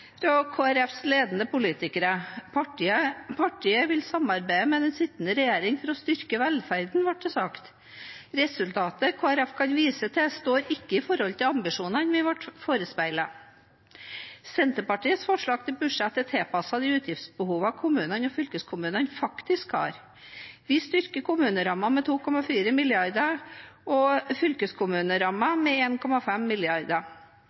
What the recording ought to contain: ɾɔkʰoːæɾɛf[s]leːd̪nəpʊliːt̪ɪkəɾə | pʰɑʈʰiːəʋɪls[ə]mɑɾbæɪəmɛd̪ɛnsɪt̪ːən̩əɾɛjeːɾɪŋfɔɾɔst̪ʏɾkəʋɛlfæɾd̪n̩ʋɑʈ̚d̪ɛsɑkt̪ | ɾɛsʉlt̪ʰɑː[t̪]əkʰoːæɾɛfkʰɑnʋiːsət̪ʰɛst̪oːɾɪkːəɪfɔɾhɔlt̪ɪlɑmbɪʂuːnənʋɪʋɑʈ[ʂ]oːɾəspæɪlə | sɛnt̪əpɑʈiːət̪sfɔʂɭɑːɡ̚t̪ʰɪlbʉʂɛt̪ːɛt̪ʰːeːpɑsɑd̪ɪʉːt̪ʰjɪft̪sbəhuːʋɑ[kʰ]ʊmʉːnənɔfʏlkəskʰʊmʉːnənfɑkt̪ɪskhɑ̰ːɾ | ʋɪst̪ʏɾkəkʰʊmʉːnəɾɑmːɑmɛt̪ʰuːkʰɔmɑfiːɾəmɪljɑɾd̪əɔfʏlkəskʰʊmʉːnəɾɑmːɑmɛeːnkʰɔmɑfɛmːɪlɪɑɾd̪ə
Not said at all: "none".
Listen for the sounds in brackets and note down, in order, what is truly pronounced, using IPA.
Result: s, ɑ, t̪, f, kʰ

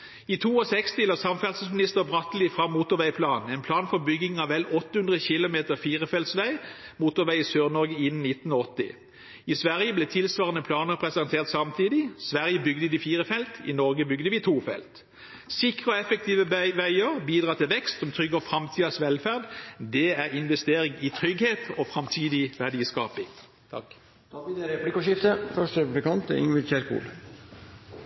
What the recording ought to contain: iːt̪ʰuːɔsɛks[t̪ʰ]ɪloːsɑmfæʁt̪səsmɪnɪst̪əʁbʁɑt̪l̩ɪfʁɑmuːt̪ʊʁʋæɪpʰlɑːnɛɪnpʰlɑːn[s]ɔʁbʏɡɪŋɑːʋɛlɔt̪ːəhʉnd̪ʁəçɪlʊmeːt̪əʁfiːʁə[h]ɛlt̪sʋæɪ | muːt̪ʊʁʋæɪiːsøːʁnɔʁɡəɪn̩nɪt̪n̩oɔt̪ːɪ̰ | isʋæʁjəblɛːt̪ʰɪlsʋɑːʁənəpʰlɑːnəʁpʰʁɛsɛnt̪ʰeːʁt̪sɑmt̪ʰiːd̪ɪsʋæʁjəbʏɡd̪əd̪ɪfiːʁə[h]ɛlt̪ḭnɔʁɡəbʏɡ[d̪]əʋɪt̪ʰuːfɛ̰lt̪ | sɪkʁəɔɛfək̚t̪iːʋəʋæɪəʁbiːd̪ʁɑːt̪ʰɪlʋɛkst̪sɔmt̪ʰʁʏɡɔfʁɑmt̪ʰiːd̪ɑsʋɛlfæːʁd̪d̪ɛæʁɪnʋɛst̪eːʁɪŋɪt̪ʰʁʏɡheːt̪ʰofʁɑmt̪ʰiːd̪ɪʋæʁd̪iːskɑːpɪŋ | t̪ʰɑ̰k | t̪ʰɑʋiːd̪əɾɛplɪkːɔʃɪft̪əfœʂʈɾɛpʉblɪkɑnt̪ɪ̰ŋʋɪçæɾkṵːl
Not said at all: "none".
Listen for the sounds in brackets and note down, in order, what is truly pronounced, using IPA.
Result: t̪, f, f, f, d̪

